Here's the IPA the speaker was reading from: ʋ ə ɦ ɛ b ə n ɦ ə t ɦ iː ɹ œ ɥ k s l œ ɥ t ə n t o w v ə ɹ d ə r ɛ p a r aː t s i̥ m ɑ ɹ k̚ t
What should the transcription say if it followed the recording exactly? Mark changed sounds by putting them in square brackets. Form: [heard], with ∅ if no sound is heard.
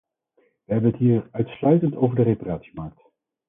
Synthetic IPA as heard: ʋ ə ɦ ɛ b ə n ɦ ə t ɦ iː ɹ œ ɥ [t] s l œ ɥ t ə n t o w v ə ɹ d ə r [e] p a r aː t s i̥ m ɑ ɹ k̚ t